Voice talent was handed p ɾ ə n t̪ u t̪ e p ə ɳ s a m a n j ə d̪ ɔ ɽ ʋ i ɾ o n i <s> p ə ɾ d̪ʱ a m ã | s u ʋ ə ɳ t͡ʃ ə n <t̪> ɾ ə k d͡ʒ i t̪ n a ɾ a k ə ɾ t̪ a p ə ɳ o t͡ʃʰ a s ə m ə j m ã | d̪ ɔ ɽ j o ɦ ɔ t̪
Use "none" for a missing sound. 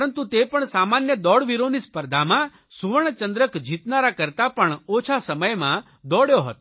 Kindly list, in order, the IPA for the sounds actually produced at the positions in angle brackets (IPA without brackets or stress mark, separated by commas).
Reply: s, d̪